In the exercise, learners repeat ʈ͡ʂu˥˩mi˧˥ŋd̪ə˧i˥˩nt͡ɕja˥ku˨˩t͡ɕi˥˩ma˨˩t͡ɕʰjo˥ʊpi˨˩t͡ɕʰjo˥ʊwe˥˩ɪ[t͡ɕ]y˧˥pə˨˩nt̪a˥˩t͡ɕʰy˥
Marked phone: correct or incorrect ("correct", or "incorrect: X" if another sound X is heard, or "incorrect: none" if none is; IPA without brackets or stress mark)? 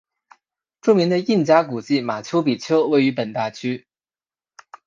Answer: incorrect: none